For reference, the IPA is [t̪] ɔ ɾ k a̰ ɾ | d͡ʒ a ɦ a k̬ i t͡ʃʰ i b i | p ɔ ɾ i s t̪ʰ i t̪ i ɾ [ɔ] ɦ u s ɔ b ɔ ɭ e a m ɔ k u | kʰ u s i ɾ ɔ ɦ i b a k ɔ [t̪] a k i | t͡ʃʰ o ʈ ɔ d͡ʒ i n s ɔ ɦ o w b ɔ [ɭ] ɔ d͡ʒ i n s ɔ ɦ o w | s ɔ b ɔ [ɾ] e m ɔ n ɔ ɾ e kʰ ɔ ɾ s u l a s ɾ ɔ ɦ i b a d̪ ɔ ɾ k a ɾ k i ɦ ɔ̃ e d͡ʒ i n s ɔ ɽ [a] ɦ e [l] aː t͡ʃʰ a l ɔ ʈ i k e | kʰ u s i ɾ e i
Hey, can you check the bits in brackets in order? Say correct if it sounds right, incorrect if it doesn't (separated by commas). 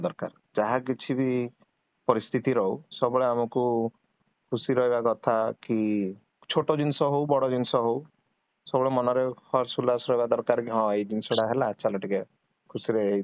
incorrect, correct, incorrect, incorrect, incorrect, correct, correct